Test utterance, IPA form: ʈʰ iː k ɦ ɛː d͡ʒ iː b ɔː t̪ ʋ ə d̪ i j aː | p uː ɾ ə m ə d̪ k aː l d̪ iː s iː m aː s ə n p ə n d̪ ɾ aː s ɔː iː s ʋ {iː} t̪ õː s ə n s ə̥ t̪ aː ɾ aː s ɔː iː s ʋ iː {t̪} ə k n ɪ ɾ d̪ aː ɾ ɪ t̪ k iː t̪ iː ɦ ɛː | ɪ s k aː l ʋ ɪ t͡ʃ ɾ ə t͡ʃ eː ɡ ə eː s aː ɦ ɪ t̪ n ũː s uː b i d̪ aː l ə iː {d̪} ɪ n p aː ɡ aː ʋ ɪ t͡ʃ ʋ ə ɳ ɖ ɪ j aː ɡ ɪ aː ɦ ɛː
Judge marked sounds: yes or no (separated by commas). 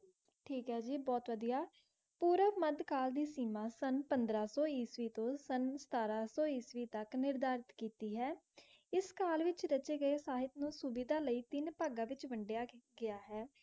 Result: yes, yes, no